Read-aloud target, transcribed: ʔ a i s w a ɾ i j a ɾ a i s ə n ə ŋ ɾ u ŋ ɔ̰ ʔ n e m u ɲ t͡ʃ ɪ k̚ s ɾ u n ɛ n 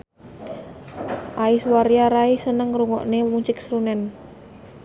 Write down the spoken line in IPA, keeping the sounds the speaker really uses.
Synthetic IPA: ʔ a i s w a ɾ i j a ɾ a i s ə n ə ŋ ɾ u ŋ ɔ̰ ʔ n e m u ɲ t͡ʃ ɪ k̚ s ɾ u n ɛ n